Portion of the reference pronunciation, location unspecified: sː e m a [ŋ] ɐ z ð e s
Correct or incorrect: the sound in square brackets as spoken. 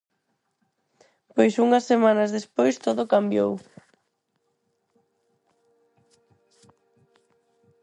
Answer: incorrect: n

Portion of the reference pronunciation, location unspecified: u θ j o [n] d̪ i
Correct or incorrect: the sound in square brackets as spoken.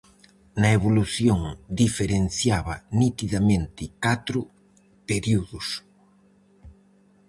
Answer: incorrect: ŋ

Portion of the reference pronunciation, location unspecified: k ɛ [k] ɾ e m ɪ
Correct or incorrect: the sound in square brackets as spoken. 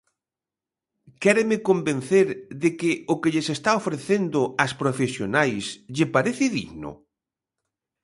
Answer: incorrect: none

